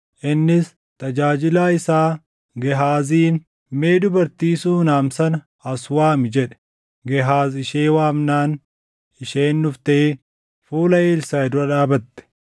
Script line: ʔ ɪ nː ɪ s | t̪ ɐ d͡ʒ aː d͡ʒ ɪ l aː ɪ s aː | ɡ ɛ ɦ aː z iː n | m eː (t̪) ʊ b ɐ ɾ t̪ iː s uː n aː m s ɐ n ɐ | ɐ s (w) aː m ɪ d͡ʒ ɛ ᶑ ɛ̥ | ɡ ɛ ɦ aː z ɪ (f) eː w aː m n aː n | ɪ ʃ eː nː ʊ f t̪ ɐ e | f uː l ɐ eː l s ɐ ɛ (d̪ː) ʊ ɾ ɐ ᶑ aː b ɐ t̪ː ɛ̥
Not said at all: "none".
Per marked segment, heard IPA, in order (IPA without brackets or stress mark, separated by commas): d̪, w, ʃ, d̪